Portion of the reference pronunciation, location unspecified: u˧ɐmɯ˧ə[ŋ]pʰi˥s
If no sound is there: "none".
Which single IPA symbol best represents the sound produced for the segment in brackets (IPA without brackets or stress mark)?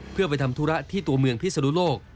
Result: ŋ